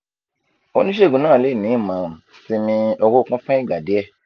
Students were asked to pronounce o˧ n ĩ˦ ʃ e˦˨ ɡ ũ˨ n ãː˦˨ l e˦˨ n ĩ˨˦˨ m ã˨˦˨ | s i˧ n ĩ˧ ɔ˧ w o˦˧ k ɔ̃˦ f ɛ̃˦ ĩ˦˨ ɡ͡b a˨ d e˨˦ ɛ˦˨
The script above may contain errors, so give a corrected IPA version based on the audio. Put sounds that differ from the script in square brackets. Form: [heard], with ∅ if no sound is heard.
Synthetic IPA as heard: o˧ n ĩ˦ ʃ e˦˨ ɡ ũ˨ n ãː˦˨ l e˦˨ n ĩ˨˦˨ m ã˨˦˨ | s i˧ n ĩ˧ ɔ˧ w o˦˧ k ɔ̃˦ f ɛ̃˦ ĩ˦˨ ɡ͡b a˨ d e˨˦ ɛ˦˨